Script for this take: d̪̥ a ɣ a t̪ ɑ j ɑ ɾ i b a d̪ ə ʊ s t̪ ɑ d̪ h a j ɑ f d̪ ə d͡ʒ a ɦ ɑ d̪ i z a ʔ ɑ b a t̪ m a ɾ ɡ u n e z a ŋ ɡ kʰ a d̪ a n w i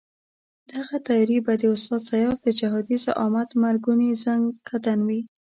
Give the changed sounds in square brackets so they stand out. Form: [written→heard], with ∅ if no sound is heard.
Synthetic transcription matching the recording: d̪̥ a ɣ a t̪ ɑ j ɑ ɾ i b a d̪ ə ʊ s t̪ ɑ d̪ [h→s] a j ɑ f d̪ ə d͡ʒ a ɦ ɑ d̪ i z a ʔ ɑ [b→m] a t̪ m a ɾ ɡ u n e z a ŋ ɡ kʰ a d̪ a n w i